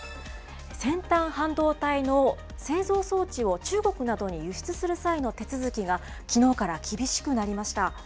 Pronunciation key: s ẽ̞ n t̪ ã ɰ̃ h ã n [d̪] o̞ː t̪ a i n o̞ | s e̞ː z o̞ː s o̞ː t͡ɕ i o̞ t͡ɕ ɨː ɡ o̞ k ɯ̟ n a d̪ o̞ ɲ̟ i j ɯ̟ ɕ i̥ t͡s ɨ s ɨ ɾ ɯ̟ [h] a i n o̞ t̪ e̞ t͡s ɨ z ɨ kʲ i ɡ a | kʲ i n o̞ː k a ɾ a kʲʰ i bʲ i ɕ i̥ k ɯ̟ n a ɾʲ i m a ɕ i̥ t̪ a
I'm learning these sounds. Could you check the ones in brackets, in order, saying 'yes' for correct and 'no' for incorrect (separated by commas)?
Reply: yes, no